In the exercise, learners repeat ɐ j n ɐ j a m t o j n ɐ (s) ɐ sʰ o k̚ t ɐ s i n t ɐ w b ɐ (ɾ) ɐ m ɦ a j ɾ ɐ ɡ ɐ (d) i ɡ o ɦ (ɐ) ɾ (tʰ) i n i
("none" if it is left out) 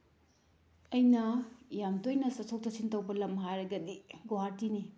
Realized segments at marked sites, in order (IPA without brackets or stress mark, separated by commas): s, l, d, a, t